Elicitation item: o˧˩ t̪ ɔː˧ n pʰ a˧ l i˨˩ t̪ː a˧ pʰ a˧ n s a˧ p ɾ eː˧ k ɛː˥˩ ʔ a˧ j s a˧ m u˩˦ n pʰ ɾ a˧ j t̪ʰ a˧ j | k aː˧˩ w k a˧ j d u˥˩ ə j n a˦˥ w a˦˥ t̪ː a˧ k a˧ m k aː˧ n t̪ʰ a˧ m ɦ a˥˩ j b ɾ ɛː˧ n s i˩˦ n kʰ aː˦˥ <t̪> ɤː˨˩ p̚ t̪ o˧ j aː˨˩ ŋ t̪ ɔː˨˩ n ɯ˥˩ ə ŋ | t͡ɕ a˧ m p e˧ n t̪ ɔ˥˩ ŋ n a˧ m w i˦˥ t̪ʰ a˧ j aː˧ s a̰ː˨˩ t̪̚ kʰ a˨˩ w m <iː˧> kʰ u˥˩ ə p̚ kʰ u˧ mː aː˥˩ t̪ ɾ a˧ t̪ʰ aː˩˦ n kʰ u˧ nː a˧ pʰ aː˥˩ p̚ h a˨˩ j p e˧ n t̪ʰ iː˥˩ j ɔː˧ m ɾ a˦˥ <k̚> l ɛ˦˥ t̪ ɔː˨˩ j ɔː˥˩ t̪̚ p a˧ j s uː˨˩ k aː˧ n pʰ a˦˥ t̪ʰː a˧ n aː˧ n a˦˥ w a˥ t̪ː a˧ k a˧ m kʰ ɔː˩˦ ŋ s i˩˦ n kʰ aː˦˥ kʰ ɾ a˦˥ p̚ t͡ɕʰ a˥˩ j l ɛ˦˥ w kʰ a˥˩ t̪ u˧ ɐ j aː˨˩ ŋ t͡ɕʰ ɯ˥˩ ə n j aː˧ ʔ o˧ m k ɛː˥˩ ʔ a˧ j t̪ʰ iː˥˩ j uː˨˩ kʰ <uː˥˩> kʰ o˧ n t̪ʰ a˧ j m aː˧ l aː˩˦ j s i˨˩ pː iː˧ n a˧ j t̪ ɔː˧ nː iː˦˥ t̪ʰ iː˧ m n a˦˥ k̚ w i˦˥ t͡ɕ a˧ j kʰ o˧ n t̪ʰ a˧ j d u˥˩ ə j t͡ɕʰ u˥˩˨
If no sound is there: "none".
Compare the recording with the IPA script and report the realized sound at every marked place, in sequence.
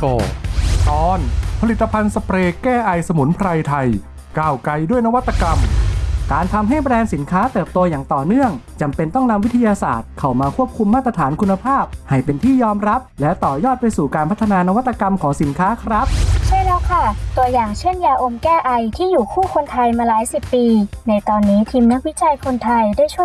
t̪, aː˧, p̚, uː˥˩

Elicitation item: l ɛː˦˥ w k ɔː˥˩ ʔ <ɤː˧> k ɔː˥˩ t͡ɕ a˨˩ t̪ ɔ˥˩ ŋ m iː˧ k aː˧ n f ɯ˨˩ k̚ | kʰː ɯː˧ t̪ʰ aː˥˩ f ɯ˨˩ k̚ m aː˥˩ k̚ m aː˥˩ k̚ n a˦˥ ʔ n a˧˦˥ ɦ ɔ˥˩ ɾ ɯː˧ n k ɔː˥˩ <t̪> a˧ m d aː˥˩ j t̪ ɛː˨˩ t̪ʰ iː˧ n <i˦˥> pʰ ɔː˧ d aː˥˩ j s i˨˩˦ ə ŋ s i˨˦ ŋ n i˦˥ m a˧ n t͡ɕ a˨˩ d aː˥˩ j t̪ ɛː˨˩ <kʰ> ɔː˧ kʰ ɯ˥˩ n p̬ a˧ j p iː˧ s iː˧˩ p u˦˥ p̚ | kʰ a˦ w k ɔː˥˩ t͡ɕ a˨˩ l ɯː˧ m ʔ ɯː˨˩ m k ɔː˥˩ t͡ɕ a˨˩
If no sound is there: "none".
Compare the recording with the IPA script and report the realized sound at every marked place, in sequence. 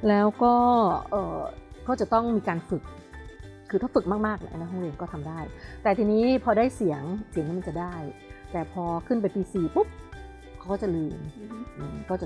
ɤː˨˩, t̪ʰ, iː˦˥, pʰ

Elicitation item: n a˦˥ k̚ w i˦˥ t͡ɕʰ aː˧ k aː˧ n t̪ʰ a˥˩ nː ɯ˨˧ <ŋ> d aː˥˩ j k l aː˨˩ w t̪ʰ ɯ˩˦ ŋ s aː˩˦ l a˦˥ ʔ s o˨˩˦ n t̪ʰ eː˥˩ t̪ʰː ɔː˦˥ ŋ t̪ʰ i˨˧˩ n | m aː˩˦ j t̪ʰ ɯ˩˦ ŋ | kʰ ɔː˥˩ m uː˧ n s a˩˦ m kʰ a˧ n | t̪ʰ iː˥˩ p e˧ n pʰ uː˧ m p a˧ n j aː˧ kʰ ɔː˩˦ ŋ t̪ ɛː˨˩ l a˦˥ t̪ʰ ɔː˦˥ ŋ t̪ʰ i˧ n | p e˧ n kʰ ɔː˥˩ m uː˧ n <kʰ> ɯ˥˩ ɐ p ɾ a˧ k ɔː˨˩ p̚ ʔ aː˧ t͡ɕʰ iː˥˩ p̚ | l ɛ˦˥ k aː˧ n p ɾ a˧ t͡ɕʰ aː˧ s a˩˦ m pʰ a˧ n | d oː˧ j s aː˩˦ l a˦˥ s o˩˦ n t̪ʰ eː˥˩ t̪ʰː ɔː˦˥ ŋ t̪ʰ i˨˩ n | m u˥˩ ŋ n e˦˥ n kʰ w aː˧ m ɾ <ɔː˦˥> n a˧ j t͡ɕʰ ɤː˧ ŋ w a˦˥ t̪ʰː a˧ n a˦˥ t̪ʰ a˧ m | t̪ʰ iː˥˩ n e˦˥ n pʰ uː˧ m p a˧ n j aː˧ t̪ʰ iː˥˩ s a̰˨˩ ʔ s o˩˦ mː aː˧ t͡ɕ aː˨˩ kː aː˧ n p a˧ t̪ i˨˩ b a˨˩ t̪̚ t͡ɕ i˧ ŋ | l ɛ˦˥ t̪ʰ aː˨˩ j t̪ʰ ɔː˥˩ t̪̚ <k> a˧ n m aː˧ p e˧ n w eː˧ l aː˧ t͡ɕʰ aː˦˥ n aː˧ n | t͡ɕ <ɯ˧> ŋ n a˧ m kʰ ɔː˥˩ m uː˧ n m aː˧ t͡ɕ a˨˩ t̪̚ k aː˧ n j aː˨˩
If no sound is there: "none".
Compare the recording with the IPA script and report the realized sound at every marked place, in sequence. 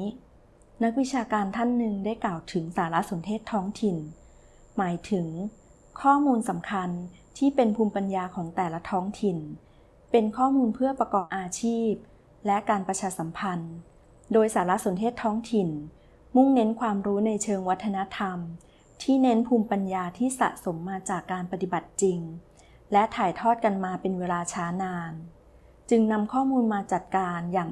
ŋ, pʰ, uː˦˥, k, ɯ˧

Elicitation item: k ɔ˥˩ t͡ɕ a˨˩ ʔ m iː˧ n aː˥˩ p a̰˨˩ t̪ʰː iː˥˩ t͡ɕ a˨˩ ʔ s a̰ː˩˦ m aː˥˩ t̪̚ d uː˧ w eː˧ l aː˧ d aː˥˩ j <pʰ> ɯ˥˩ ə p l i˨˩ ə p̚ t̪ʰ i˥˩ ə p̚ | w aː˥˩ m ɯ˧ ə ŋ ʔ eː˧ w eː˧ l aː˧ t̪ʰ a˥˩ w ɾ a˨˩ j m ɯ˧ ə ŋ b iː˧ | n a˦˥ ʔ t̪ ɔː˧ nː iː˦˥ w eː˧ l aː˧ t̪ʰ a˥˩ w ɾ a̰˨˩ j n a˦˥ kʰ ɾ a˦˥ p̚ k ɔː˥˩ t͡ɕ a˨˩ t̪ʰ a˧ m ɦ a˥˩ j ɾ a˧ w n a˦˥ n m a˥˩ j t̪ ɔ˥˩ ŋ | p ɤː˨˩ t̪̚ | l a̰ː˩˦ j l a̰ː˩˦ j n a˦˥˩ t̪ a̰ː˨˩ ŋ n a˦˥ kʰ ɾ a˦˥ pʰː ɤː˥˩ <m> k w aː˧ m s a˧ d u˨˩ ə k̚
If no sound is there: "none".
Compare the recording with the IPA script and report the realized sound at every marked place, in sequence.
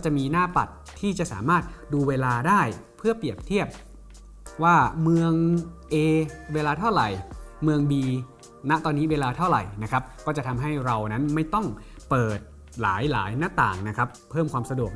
pʰ, m

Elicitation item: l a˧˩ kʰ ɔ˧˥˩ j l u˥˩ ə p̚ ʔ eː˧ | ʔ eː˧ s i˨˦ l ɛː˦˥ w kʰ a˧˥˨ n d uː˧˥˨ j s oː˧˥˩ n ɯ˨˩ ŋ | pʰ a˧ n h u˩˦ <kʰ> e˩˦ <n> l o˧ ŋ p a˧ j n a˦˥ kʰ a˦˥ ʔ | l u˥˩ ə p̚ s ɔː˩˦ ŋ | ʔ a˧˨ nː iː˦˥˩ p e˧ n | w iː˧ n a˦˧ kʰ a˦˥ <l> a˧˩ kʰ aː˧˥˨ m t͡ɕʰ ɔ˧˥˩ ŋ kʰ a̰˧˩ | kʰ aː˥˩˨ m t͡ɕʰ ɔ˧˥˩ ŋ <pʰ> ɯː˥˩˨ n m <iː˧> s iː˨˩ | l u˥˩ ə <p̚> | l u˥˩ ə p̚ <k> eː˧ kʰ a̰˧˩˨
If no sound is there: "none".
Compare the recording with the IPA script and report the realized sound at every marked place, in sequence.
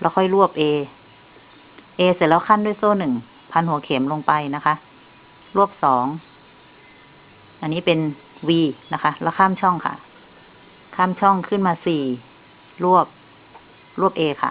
kʰ, m, l, kʰ, aː˧, p̚, ʔ

